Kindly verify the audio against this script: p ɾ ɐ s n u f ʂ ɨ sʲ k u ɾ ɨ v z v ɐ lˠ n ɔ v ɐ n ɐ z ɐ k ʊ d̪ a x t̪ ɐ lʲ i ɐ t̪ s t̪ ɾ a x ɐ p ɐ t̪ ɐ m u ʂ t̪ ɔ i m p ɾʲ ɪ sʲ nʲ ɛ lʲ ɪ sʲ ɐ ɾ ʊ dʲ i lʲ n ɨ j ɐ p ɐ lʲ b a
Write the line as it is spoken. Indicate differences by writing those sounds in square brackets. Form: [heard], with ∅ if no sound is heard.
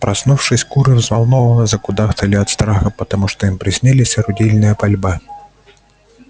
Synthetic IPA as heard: p ɾ ɐ s n u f ʂ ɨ sʲ k u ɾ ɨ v z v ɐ lˠ n ɔ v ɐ n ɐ z ɐ k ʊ d̪ a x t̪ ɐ lʲ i ɐ t̪ s t̪ ɾ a x ɐ p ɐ t̪ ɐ m u ʂ t̪ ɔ i m p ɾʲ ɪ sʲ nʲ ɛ lʲ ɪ sʲ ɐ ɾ ʊ dʲ i lʲ n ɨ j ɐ p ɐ lʲ b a